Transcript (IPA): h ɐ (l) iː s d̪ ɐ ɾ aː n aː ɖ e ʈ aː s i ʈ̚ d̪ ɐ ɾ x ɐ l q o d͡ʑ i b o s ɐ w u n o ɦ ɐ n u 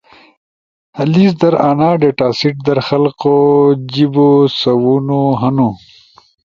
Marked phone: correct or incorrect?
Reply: correct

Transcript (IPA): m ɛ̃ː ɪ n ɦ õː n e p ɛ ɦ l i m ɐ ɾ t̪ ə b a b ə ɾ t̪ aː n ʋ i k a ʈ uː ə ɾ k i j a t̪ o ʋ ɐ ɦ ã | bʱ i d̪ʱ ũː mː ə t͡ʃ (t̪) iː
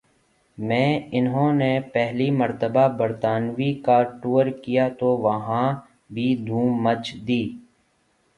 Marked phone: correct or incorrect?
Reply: incorrect: d̪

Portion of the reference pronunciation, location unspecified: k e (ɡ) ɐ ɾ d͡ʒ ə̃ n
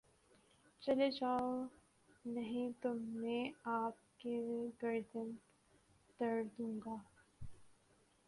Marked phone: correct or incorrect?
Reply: correct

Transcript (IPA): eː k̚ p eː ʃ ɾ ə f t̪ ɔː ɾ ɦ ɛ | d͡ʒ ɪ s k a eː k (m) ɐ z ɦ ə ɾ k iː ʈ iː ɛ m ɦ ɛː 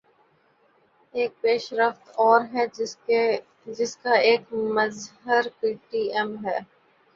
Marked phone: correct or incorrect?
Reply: correct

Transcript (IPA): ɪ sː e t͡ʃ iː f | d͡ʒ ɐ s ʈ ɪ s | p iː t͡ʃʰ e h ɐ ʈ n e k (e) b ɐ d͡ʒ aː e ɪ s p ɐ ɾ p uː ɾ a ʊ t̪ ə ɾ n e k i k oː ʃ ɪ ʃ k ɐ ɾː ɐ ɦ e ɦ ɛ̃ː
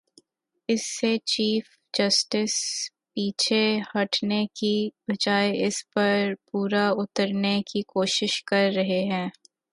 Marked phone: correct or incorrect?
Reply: incorrect: i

